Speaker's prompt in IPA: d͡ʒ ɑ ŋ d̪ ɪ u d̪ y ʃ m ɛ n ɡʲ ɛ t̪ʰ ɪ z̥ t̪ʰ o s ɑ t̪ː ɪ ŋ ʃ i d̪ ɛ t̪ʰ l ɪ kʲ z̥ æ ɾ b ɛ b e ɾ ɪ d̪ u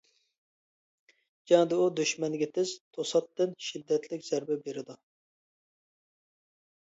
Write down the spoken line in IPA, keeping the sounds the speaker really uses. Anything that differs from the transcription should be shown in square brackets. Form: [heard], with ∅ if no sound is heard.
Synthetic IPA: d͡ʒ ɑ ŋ d̪ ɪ u d̪ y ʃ m ɛ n ɡʲ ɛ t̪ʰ ɪ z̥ t̪ʰ o s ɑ t̪ː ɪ [n] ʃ i [d̪ː] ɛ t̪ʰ l ɪ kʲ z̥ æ ɾ b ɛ b e ɾ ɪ d̪ u